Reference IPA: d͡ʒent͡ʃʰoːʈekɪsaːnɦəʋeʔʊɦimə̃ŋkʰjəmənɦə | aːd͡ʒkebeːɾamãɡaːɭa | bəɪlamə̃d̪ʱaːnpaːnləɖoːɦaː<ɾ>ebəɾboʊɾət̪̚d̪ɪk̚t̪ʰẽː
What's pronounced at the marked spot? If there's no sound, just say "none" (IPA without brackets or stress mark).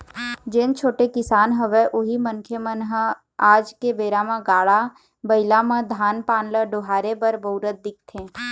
ɾ